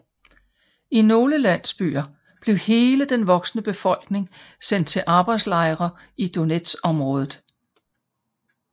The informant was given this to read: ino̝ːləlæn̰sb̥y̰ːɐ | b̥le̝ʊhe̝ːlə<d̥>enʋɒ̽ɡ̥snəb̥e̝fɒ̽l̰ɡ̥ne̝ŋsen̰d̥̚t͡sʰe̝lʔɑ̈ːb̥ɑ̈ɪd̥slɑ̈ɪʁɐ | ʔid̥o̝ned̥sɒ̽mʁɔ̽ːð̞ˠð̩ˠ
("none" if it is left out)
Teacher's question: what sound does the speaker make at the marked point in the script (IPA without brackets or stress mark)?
d̥